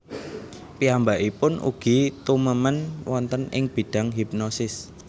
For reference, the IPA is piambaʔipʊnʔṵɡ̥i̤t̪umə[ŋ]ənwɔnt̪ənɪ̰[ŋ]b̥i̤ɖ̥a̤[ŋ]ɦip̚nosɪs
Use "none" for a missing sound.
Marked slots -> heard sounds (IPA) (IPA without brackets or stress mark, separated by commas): m, ŋ, ŋ